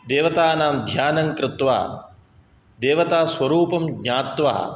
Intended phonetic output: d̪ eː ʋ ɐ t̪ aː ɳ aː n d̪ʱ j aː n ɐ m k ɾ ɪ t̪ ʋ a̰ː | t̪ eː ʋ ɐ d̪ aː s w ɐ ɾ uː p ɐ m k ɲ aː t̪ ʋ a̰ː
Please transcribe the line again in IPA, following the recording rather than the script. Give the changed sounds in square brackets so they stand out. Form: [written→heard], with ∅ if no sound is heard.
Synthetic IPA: d̪ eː ʋ ɐ t̪ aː [ɳ→n] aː [n→m] d̪ʱ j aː n ɐ [m→ŋ] k ɾ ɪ t̪ ʋ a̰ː | [t̪→d̪] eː ʋ ɐ [d̪→t̪] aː s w ɐ ɾ uː p ɐ m [k→ɡ] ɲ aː t̪ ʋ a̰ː